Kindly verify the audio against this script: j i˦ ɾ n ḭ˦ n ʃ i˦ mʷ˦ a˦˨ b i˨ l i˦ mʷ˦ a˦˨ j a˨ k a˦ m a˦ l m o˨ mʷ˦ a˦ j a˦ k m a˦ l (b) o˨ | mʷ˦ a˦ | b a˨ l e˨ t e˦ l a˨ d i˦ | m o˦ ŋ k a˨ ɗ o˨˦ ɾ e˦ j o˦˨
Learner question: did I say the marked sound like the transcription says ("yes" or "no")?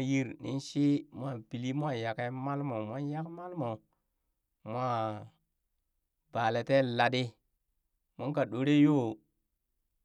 no